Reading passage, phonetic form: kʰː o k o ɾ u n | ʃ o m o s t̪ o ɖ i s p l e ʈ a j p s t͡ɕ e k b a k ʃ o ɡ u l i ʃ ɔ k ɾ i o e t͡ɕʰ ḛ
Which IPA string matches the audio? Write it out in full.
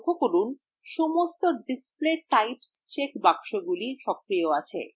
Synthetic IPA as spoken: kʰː o k o ɾ u n | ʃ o m o s t̪ o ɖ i s p l e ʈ a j p s t͡ɕ e k b a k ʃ o ɡ u l i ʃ ɔ k ɾ i o a t͡ɕʰ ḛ